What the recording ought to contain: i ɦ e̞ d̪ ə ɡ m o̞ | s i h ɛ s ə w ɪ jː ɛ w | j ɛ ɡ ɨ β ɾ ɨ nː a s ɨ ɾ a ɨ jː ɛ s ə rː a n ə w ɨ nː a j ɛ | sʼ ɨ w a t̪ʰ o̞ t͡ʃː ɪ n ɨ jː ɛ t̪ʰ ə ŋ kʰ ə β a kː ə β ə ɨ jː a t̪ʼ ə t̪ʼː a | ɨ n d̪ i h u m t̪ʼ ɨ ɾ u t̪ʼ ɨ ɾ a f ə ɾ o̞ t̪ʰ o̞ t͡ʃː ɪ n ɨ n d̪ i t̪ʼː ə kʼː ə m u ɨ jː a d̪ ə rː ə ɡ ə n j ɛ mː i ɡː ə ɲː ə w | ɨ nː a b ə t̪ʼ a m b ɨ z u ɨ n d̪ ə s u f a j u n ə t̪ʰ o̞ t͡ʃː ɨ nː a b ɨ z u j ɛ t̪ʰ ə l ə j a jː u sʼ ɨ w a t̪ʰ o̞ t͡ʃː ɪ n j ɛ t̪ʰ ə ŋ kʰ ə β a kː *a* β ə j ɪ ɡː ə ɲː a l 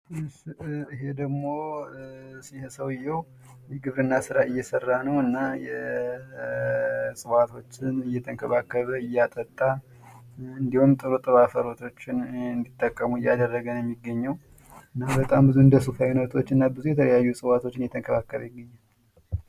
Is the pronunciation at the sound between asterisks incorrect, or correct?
incorrect